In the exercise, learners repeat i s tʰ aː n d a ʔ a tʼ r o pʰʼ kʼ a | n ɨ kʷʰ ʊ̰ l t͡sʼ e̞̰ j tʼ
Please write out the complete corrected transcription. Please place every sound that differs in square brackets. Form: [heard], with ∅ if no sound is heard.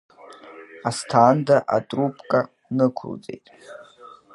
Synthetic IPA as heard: [a] s tʰ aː n d a ʔ a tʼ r [u] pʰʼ kʼ a | n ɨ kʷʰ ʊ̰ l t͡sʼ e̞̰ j tʼ